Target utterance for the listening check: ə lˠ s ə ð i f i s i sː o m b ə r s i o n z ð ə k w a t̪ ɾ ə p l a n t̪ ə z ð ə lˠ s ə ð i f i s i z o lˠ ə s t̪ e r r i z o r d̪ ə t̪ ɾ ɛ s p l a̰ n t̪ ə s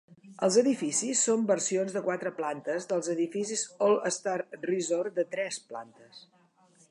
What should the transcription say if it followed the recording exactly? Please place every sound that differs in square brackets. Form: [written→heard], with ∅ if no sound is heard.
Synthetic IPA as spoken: ə lˠ [s→z] ə ð i f i s i sː o m b ə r s i o n z ð ə k w a t̪ ɾ ə p l a n t̪ ə z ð ə lˠ [s→z] ə ð i f i s i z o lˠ ə s t̪ [e→a] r r i z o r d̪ ə t̪ ɾ ɛ s p l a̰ n t̪ ə s